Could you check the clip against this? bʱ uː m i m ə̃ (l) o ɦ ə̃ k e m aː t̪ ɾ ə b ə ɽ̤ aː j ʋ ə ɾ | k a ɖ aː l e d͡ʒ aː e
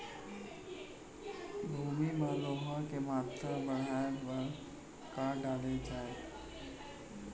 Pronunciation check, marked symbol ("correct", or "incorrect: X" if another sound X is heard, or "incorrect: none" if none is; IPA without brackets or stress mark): correct